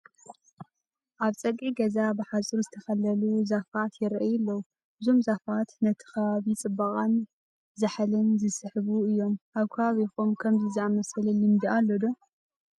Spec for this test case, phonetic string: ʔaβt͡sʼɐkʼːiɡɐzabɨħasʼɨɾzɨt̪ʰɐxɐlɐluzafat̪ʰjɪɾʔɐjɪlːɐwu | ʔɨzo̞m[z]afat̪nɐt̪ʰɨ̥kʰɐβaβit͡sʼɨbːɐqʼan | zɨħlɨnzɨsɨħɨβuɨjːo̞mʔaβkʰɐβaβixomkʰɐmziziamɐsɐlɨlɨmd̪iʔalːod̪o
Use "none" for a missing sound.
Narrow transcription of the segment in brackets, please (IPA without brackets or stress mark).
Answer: z